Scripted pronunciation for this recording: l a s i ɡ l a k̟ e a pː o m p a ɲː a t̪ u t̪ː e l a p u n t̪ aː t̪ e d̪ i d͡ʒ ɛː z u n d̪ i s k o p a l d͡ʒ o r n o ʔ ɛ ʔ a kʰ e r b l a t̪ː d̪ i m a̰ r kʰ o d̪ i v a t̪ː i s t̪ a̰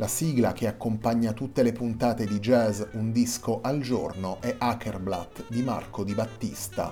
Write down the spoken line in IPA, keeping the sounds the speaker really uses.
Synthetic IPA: l a s i ɡ l a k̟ e a kː o m p a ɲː a t̪ u t̪ː e l e p u n t̪ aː t̪ e d̪ i d͡ʒ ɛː z u n d̪ i s k o ʔ a l d͡ʒ o r n o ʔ ɛ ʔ a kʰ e r b l a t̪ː d̪ i m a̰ r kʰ o d̪ i b a t̪ː i s t̪ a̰